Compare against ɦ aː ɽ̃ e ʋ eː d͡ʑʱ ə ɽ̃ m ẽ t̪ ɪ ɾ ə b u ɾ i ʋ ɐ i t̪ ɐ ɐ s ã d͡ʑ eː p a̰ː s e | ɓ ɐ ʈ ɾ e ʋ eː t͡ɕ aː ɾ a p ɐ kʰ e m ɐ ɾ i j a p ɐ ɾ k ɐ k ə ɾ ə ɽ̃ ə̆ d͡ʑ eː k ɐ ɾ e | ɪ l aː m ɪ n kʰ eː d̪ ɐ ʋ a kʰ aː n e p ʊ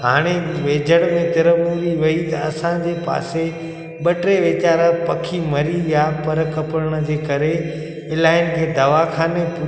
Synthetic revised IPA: ɦ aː ɽ̃ e ʋ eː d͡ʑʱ ə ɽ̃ m ẽ t̪ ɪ ɾ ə m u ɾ i ʋ ɐ i t̪ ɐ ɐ s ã d͡ʑ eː p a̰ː s e | ɓ ɐ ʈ ɾ e ʋ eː t͡ɕ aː ɾ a p ɐ kʰ i m ɐ ɾ i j a p ɐ ɾ k ɐ p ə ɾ ə ɽ̃ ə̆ d͡ʑ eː k ɐ ɾ e | ɪ l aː ɪ n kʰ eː d̪ ɐ ʋ a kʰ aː n e p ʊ